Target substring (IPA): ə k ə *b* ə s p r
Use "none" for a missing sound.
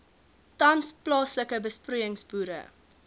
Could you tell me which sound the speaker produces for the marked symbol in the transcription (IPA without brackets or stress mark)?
b